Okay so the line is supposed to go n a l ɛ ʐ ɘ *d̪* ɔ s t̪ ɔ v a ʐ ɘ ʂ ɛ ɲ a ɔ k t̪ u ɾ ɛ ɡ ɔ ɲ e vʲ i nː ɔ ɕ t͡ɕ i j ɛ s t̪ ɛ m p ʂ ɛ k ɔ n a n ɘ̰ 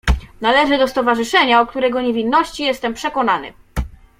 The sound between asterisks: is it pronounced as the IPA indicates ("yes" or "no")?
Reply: yes